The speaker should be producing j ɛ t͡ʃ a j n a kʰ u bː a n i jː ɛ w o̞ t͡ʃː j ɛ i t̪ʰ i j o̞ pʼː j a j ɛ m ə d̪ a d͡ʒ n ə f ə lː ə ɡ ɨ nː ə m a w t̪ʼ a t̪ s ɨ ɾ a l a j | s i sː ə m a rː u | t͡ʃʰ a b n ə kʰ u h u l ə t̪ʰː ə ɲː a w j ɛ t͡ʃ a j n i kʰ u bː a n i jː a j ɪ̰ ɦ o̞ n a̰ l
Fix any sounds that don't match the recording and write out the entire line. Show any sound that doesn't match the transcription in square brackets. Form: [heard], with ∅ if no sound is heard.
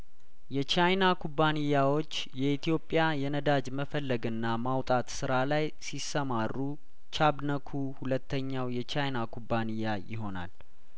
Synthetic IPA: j ɛ t͡ʃ a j n a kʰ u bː a n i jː [a] w o̞ t͡ʃː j ɛ i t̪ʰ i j o̞ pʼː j a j ɛ [n] ə d̪ a d͡ʒ [m] ə f ə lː ə ɡ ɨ nː [a] m a w t̪ʼ a t̪ s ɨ ɾ a l a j | s i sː ə m a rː u | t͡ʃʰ a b n ə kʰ u h u l ə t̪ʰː ə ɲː a w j ɛ t͡ʃ a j n [a] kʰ u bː a n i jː a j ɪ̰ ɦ o̞ n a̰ l

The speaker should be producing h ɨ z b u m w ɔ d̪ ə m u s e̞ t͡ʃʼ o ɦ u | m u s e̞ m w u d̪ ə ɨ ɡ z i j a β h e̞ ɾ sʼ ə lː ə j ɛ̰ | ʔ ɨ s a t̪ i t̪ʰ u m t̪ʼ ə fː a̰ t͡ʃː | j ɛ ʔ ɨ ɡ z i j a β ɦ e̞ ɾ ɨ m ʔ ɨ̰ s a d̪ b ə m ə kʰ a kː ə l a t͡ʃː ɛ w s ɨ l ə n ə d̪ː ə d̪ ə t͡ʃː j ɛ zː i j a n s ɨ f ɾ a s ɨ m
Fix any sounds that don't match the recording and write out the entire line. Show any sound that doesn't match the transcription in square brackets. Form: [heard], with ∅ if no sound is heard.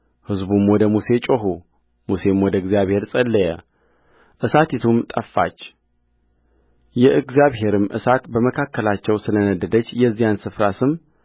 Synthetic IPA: h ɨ z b u m w ɔ d̪ ə m u s e̞ t͡ʃʼ o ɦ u | m u s e̞ m w [ɔ] d̪ ə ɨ ɡ z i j a β h e̞ ɾ sʼ ə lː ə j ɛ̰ | ʔ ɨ s a t̪ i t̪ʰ u m t̪ʼ ə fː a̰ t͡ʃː | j ɛ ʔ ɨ ɡ z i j a β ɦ e̞ ɾ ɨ m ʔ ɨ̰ s a [t̪] b ə m ə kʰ a kː ə l a t͡ʃː ɛ w s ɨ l ə n ə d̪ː ə d̪ ə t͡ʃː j ɛ zː i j a n s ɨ f ɾ a s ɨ m

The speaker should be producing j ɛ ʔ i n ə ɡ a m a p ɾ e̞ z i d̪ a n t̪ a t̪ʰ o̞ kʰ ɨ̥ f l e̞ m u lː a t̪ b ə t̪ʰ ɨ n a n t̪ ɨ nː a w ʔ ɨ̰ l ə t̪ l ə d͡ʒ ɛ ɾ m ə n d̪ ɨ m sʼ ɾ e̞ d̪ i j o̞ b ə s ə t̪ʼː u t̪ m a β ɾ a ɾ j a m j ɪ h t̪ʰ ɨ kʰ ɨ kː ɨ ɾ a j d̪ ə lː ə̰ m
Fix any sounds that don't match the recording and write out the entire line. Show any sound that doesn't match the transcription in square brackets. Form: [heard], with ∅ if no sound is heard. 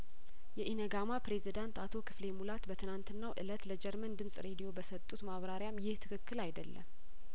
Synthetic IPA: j ɛ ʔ i n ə ɡ a m a p ɾ e̞ z i d̪ a n t̪ a t̪ʰ o̞ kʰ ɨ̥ f l e̞ m u [l] a t̪ b ə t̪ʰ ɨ n a n t̪ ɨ nː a w ʔ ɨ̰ l ə t̪ l ə d͡ʒ ɛ ɾ m ə n d̪ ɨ m sʼ ɾ e̞ d̪ i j o̞ b ə s ə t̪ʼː u t̪ m a β ɾ a ɾ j a m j ɪ h t̪ʰ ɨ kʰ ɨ kː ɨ [l] a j d̪ ə lː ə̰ m

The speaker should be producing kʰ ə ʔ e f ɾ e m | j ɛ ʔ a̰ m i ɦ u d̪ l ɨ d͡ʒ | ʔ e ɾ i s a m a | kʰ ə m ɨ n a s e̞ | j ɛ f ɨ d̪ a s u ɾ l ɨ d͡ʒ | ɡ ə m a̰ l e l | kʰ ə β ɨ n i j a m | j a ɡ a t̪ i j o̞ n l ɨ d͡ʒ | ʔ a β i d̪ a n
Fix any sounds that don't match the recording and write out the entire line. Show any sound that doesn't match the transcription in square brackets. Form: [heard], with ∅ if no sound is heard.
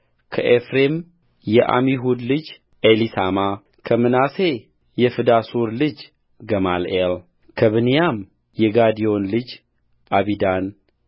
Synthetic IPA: kʰ ə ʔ e f ɾ e m | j ɛ ʔ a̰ m i ɦ u d̪ l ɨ d͡ʒ | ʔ e [l] i s a m a | kʰ ə m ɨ n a s e̞ | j ɛ f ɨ d̪ a s u ɾ l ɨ d͡ʒ | ɡ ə m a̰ l e l | kʰ ə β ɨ n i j a m | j [ɛ] ɡ a [d̪] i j o̞ n l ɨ d͡ʒ | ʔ a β i d̪ a n

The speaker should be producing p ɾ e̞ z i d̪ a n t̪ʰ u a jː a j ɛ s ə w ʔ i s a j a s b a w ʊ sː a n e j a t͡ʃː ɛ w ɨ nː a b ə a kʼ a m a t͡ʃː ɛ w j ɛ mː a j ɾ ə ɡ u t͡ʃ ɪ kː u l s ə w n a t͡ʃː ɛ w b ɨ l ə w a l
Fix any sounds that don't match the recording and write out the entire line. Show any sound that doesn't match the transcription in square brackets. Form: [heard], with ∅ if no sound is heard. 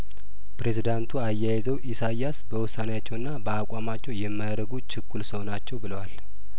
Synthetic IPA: p ɾ e̞ z i d̪ a n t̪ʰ u a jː a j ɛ [z] ə w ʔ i s a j a s b [ə] w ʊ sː a n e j a t͡ʃː ɛ w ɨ nː a b ə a kʼ a m a t͡ʃː ɛ w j ɛ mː a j ɾ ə ɡ u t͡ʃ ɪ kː u l s ə w n a t͡ʃː ɛ w b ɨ l ə w a l

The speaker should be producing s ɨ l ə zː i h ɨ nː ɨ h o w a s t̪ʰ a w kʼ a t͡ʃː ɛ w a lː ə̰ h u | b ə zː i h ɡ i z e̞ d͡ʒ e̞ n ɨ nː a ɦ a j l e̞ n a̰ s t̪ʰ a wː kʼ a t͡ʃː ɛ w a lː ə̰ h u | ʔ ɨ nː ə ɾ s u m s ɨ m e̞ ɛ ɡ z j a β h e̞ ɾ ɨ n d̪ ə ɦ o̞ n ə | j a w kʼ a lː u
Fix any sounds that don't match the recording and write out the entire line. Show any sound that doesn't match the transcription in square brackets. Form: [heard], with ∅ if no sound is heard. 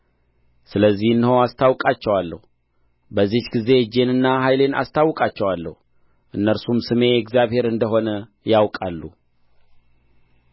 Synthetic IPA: s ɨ l ə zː i h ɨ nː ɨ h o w a s t̪ʰ a w kʼ a t͡ʃː ɛ w a lː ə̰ h u | b ə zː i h ɡ i z e̞ d͡ʒ e̞ n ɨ nː a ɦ a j l e̞ n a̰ s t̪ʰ a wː kʼ a t͡ʃː ɛ w a lː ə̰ h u | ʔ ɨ nː ə ɾ s u m s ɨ m e̞ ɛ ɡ z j a β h e̞ ɾ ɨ n d̪ ə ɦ o̞ n ə | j a w kʼ a lː u

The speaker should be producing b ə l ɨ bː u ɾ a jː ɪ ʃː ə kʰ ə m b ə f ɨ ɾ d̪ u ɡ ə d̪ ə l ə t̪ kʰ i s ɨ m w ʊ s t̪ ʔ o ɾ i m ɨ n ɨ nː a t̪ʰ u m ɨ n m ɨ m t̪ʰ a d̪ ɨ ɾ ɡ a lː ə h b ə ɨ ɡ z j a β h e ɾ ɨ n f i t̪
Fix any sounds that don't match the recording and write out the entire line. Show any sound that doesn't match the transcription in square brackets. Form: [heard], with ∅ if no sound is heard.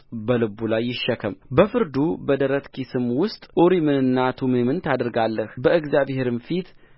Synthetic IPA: b ə l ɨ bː u [l] a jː ɪ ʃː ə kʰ ə m b ə f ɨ ɾ d̪ u [b] ə d̪ ə [ɾ] ə t̪ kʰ i s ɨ m w ʊ s [t̪ʼ] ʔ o ɾ i m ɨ n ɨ nː a t̪ʰ u m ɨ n m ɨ [n] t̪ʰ a d̪ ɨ ɾ ɡ a lː ə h b ə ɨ ɡ z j a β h e ɾ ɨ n f i t̪

